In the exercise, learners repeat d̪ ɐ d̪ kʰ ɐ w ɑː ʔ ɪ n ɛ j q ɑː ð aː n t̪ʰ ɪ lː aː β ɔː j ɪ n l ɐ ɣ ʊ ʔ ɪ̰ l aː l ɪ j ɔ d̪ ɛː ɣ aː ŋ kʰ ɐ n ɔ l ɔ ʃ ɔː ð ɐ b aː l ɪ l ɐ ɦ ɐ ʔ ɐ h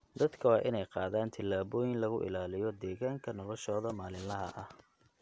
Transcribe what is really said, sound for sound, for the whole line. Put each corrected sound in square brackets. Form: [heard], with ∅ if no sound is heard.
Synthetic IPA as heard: d̪ ɐ d̪ kʰ ɐ w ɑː ʔ ɪ n ɛ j q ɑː ð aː n t̪ʰ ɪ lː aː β ɔː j ɪ n l ɐ ɣ ʊ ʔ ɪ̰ l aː l ɪ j ɔ d̪ ɛː ɣ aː ŋ kʰ ɐ n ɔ l ɔ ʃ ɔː ð ɐ [m] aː l ɪ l ɐ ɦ ɐ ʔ ɐ h